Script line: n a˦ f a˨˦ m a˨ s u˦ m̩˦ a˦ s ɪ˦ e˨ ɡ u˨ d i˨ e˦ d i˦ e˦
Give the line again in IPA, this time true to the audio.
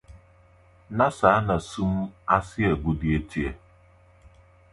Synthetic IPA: n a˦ s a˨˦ n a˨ s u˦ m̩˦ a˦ s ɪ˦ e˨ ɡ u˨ d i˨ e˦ t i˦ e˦